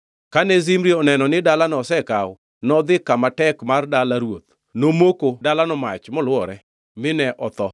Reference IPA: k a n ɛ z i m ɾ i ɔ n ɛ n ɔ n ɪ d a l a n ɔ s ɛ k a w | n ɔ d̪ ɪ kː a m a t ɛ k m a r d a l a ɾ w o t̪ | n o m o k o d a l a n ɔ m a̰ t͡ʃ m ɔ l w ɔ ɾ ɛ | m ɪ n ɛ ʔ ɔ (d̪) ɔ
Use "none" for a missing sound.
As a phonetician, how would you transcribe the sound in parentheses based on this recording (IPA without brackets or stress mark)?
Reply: t̪